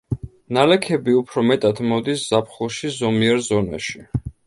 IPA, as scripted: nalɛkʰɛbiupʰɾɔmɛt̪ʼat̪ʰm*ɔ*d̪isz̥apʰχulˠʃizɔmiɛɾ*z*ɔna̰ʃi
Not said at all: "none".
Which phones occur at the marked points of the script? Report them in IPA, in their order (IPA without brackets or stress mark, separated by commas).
ɔ, z